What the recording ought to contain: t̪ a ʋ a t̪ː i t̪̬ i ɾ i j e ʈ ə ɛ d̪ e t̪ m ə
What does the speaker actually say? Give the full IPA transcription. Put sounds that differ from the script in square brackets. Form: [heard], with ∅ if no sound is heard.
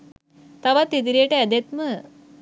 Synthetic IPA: t̪ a ʋ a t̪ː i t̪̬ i ɾ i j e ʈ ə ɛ d̪ e t̪ m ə